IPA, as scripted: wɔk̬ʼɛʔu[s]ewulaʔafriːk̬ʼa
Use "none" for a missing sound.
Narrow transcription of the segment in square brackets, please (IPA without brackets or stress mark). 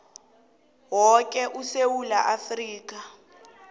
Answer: s